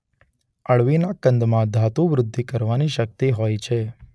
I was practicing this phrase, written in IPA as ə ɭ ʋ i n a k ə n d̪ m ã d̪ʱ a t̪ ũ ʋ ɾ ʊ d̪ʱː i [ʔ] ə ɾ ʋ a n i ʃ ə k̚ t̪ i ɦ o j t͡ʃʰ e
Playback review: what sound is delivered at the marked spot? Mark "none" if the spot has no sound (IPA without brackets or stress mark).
k